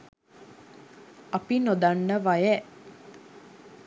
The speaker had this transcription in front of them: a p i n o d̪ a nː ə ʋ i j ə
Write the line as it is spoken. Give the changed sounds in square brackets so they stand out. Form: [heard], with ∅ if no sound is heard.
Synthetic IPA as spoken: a p i n o d̪ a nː ə ʋ [a] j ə

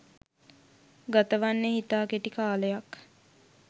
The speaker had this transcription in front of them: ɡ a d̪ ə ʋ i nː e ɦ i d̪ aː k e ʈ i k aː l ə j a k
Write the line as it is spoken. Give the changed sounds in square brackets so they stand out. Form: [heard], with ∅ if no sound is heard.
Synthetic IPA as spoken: ɡ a [t̪] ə ʋ [a] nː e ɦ i [t̪] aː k e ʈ i k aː l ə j a k

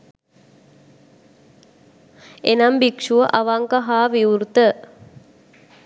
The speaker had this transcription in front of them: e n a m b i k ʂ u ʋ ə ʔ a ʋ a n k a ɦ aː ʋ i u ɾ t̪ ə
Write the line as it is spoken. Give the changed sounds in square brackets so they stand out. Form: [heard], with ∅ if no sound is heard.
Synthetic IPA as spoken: e n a m b i k ʂ u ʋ ə ʔ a ʋ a [ŋ] k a ɦ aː ʋ i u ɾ t̪ ə

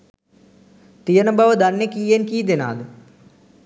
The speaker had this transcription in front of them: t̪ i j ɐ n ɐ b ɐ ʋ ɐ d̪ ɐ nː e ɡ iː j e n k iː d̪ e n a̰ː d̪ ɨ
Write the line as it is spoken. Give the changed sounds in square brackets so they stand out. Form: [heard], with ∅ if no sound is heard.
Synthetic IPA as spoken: t̪ i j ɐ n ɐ b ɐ ʋ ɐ d̪ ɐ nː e [k] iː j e n k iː d̪ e n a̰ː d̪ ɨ

